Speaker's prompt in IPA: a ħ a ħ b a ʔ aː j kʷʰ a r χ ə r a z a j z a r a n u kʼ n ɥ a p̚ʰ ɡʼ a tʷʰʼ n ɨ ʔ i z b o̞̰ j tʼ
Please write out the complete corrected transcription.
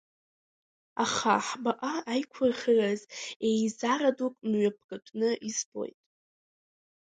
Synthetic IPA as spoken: a χ a ħ b a ʔ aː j kʷʰ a r χ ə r a z e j z a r a d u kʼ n ɥ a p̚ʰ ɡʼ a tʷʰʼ n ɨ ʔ i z b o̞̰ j tʼ